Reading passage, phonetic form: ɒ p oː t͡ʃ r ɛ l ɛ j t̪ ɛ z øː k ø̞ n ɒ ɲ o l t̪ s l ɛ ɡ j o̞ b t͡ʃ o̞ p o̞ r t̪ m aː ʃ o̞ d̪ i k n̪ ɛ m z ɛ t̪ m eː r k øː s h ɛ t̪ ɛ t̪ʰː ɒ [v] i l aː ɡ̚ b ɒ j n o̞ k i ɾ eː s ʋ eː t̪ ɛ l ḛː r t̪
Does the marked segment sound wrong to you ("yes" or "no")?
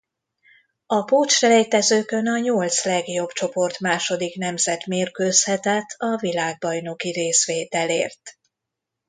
no